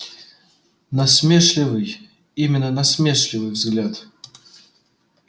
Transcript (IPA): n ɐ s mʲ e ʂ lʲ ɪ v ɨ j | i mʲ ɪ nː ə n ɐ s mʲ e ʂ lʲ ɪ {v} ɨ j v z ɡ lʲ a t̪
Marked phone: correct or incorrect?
correct